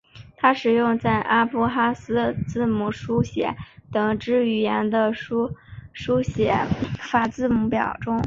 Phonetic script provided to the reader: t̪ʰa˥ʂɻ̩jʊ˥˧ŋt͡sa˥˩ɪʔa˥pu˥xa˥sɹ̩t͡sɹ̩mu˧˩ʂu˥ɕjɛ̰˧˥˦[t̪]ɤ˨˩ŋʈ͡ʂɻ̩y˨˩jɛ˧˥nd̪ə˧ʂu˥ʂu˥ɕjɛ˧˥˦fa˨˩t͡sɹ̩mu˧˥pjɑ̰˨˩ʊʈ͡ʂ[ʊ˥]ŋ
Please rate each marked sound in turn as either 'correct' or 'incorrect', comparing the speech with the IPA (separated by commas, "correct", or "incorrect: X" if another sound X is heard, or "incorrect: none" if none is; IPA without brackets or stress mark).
correct, correct